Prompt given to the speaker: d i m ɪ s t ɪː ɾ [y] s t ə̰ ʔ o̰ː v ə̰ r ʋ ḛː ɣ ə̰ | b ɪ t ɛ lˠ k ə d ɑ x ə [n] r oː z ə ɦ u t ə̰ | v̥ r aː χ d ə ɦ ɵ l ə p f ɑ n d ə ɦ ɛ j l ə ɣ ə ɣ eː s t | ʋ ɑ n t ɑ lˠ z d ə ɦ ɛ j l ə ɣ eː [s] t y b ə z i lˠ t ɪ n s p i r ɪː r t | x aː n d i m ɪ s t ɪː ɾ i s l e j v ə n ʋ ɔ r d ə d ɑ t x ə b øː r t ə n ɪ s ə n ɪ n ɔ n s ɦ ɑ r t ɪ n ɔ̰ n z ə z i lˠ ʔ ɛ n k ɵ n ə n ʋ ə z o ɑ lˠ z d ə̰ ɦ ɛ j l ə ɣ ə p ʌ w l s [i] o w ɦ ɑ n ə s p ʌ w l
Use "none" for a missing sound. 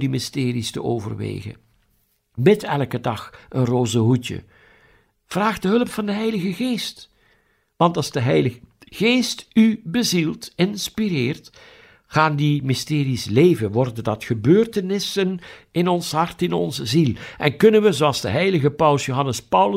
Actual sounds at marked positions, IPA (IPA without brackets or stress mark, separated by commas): i, n, s, j